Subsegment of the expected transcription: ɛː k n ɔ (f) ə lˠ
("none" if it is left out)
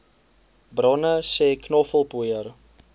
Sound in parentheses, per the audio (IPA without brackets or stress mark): f